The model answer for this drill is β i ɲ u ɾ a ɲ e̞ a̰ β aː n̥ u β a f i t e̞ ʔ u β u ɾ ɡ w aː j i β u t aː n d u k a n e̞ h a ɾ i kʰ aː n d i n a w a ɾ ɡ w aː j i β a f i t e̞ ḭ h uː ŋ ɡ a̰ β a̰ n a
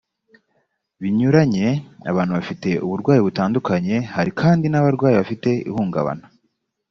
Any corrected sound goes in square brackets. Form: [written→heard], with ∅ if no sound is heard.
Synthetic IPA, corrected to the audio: β i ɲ u ɾ a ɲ e̞ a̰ β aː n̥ u β a f i t e̞ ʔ u β u ɾ ɡ w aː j i β u t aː n d u k a [n→ɲ] e̞ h a ɾ i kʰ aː n d i n a [w→β] a ɾ ɡ w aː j i β a f i t e̞ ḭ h uː ŋ ɡ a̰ β a̰ n a